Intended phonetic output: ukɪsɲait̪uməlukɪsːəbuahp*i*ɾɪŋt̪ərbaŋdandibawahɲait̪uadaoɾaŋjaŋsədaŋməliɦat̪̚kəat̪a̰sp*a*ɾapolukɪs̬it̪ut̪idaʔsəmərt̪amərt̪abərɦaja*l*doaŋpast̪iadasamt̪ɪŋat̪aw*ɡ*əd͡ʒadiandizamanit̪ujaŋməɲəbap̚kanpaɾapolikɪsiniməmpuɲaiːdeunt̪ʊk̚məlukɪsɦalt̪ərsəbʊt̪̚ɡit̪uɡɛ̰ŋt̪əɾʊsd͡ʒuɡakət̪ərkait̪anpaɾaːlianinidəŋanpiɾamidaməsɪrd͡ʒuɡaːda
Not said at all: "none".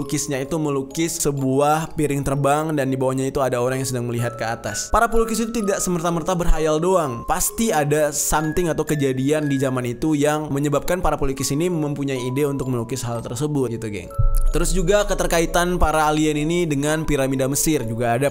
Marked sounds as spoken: i, a, l, k

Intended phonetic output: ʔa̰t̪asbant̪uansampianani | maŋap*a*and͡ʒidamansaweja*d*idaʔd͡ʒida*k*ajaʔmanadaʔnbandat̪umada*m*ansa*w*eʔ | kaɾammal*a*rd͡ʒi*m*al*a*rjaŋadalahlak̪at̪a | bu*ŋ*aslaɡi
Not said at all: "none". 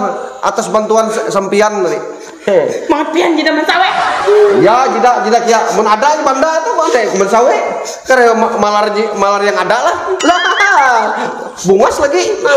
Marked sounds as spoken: i, d͡ʒ, k, m, w, a, m, a, ŋ

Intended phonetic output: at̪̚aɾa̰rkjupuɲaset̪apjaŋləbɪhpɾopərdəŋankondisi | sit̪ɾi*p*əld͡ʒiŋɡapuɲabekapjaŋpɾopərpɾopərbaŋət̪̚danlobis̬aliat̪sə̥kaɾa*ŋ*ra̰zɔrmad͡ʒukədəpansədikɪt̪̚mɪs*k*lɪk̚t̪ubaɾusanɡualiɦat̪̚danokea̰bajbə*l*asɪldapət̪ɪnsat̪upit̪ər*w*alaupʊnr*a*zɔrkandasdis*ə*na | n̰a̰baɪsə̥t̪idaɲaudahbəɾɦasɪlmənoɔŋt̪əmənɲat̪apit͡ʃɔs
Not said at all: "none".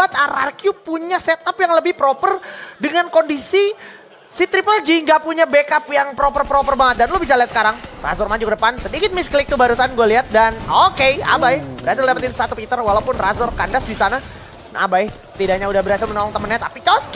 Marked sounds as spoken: p, ŋ, k, ɾ, w, a, a

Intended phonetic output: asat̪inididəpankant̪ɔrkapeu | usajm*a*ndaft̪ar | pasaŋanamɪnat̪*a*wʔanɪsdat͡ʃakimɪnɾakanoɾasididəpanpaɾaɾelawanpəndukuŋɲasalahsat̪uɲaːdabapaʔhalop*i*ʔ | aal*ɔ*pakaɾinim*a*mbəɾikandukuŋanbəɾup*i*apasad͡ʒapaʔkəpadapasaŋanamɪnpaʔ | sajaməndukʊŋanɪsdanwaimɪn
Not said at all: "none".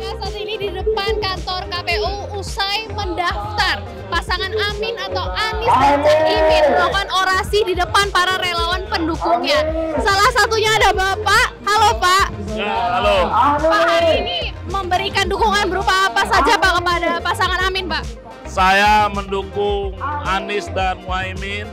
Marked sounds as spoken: ə, a, a, o, ə, a

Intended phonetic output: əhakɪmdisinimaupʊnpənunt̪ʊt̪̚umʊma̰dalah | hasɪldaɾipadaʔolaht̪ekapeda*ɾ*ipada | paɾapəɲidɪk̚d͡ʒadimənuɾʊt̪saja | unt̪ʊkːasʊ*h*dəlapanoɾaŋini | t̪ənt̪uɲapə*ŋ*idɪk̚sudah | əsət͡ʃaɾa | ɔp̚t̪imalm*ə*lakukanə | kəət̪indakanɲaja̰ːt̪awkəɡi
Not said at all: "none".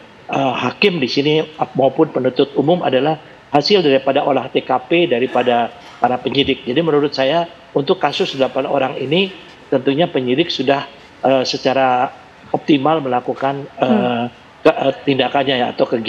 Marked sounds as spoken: ɾ, s, ɲ, ə

